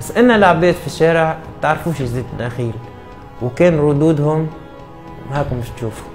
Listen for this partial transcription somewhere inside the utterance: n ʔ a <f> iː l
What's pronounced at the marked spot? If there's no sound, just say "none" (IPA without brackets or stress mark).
x